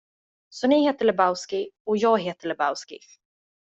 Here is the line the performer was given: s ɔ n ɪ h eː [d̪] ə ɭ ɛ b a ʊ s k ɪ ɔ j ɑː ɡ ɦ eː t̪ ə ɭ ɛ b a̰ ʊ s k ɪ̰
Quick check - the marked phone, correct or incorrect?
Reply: incorrect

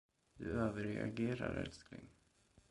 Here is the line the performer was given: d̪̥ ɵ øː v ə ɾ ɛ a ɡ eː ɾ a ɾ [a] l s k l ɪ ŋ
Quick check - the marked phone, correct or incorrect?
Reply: incorrect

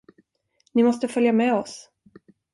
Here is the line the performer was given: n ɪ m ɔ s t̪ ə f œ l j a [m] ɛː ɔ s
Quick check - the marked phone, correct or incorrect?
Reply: correct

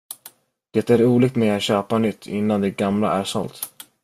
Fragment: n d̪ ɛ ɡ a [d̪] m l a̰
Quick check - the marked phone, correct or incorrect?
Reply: incorrect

